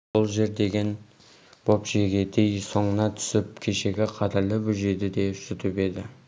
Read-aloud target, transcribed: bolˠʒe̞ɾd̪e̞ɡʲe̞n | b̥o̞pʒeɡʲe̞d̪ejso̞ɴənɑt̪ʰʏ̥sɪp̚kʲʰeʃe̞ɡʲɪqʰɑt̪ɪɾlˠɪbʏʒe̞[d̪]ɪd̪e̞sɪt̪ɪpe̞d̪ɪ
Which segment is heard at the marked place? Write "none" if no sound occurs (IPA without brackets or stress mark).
d̪